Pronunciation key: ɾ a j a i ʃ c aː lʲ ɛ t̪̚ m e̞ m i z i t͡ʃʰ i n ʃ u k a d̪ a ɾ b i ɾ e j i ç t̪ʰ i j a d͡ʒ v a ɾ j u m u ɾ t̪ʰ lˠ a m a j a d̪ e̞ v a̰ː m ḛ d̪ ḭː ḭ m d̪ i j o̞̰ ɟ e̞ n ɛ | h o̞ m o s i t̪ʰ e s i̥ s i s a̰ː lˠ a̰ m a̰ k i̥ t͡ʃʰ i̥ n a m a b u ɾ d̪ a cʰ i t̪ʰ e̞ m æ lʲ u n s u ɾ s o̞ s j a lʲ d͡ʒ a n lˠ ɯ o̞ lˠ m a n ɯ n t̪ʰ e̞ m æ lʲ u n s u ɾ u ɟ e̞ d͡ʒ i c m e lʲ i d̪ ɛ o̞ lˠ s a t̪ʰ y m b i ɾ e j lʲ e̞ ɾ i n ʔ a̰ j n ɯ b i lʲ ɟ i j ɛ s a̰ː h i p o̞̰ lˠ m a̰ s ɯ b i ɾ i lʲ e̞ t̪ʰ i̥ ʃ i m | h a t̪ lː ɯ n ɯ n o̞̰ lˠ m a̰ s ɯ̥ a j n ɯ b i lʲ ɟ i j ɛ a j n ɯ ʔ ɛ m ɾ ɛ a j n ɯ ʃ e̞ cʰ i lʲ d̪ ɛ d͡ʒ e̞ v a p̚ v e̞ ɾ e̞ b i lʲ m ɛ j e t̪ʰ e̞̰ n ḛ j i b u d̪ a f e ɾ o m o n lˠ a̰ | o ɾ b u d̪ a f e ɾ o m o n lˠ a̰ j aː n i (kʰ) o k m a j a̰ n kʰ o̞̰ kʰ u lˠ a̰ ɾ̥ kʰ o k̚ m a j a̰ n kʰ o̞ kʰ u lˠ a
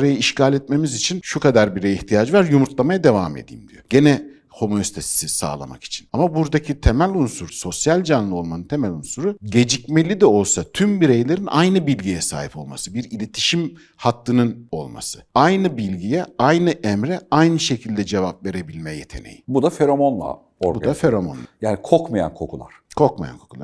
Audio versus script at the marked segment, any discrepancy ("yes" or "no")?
no